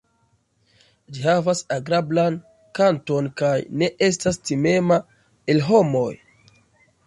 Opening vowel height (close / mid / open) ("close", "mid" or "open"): close